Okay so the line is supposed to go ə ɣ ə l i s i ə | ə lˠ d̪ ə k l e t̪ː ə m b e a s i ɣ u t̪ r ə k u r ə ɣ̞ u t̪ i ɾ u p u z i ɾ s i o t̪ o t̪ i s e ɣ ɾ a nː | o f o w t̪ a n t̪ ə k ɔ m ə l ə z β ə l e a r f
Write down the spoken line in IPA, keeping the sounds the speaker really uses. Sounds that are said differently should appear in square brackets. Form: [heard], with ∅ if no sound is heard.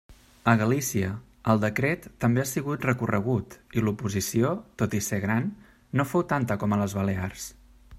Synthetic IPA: ə ɣ ə l i s i ə | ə lˠ d̪ ə k [ɾ] e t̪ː ə m b e a s i ɣ u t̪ r ə k u r ə ɣ̞ u t̪ i [l] u p u z i [∅] s i o t̪ o t̪ i s e ɣ ɾ a nː | o f o w t̪ a n t̪ ə k ɔ m ə l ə z β ə l e a r [s]

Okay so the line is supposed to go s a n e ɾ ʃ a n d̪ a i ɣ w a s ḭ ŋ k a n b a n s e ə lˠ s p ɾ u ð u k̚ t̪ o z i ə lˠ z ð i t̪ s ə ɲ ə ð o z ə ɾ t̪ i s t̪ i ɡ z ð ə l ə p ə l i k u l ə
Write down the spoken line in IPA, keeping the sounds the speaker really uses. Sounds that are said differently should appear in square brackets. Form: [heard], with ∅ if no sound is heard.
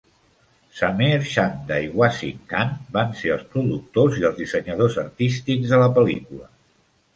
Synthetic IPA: s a [m] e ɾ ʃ a n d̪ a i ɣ w a s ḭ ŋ k a n b a n s e ə lˠ s p ɾ u ð u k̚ t̪ o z i ə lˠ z ð i [∅] s ə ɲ ə ð o z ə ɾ t̪ i s t̪ i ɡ z ð ə l ə p ə l i k u l ə

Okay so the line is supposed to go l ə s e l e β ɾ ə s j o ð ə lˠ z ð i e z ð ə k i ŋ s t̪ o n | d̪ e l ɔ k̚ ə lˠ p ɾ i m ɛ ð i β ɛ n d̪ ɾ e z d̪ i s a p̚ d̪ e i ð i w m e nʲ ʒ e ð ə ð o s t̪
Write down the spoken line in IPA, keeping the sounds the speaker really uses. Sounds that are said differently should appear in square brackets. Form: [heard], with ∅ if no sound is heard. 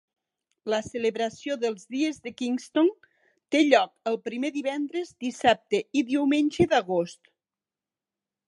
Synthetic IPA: l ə s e l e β ɾ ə s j o ð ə lˠ z ð i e z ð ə k i ŋ s t̪ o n | [t̪] e [ʎ] ɔ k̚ ə lˠ p ɾ i m [e] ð i β ɛ n d̪ ɾ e z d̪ i s a p̚ [t̪] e i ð i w m e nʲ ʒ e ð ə [ɣ] o s t̪

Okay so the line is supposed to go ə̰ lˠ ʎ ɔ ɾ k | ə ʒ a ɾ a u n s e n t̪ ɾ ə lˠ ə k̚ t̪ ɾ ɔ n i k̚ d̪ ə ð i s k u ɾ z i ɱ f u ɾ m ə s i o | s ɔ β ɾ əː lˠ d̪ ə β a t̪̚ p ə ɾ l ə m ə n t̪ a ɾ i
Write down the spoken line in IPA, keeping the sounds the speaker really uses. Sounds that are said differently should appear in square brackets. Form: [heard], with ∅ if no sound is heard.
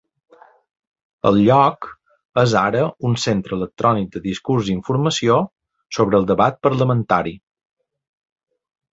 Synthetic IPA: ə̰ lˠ ʎ ɔ [∅] k | ə [z] a ɾ [ə] u n s e n t̪ ɾ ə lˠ ə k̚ t̪ ɾ ɔ n i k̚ d̪ ə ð i s k u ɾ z i ɱ f u ɾ m ə s i o | s [o] β ɾ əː lˠ d̪ ə β a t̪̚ p ə ɾ l ə m ə n t̪ a ɾ i

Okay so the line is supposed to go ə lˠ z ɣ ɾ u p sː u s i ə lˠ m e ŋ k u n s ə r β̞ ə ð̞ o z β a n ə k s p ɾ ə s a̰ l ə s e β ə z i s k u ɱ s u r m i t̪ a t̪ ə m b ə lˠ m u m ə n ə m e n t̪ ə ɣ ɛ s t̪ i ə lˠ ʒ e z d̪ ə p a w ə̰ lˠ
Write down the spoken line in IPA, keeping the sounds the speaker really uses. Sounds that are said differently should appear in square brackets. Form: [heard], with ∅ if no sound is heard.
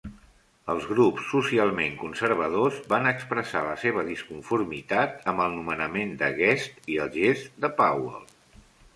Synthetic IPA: ə lˠ z ɣ ɾ u p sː u s i [a] lˠ m e ŋ k u n s ə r β̞ ə ð̞ o z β a n ə k s p ɾ ə s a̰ l ə s e β ə [ð] i s k u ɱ [f] u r m i t̪ a t̪ ə m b ə lˠ [n] u m ə n ə m e n [d̪] ə ɣ ɛ s t̪ i ə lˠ ʒ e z d̪ ə p a w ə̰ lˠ

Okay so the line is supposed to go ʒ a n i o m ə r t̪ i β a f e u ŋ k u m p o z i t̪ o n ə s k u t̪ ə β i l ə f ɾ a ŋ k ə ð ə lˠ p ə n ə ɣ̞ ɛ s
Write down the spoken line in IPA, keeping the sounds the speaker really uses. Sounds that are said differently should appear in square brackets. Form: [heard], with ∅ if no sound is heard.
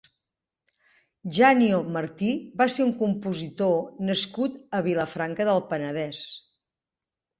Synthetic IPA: ʒ a n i o m ə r t̪ i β a [s] e u ŋ k u m p [u] z i t̪ o n ə s k u t̪ ə β i l ə f ɾ a ŋ k ə ð ə lˠ p ə n ə [ð̞] ɛ s

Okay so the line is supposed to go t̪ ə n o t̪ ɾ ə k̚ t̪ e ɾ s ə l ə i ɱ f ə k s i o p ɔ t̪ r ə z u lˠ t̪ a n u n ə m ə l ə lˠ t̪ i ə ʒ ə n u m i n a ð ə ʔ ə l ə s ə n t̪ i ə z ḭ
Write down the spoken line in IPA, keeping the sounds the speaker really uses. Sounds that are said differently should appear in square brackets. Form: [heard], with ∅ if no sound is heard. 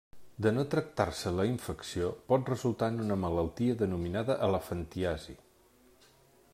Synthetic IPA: [d̪] ə n o t̪ ɾ ə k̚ t̪ [a] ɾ s ə l ə i ɱ f ə k s i o p ɔ t̪ r ə z u lˠ t̪ a n u n ə m ə l ə lˠ t̪ i ə [ð] ə n u m i n a ð ə ʔ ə l ə [f] ə n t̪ i [a] z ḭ

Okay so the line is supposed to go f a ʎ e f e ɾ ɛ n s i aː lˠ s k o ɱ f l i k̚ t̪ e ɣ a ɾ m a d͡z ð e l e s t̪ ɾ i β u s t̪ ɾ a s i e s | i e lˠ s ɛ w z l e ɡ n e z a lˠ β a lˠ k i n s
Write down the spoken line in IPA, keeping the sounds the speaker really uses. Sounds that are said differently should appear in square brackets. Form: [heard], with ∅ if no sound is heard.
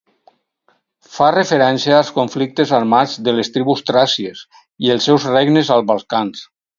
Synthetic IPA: f a [r] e f e ɾ ɛ n s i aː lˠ s k o ɱ f l i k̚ t̪ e [z] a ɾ m a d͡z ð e l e s t̪ ɾ i β u s t̪ ɾ a s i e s | i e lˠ s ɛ w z [r] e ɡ n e z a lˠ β a lˠ k [a] n s

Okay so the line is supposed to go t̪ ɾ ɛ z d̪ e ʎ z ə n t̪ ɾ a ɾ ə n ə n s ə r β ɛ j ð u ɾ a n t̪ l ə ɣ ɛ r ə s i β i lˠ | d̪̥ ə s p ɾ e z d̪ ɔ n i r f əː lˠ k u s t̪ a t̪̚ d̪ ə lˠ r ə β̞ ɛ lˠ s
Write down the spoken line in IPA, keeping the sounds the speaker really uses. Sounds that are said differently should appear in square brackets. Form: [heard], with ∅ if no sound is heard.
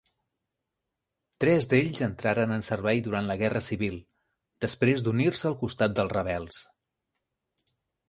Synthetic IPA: t̪ ɾ ɛ z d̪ e ʎ z ə n t̪ ɾ a ɾ ə n ə n s ə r β ɛ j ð u ɾ a n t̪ l ə ɣ ɛ r ə s i β i lˠ | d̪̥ ə s p ɾ e z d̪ [u] n i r [s] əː lˠ k u s t̪ a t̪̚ d̪ ə lˠ r ə β̞ ɛ lˠ s

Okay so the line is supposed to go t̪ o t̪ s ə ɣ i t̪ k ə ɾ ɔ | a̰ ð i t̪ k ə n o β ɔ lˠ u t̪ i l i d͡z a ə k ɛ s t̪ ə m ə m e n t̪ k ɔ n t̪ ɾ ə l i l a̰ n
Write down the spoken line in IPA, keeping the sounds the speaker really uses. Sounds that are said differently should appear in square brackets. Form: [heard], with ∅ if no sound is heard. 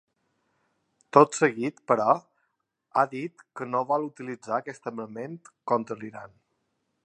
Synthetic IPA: t̪ o t̪ s ə ɣ i t̪ [p] ə ɾ ɔ | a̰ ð i t̪ k ə n o β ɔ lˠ u t̪ i l i d͡z a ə k ɛ s t̪ ə m ə m e n t̪ k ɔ n t̪ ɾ ə l i [ɾ] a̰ n

